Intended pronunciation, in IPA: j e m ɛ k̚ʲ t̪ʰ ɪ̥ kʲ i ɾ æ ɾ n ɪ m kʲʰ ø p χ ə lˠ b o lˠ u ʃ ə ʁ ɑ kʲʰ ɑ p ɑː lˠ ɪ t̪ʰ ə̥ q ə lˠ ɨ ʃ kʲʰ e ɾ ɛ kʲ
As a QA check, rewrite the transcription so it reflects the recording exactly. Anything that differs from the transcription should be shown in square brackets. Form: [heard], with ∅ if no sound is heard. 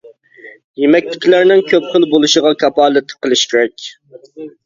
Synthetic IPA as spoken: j e m ɛ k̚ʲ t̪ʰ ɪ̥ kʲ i [l] æ ɾ n ɪ [ŋ] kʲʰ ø p χ ə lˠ b o lˠ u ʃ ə ʁ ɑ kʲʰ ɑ p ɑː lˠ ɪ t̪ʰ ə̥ q ə lˠ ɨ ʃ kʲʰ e ɾ ɛ kʲ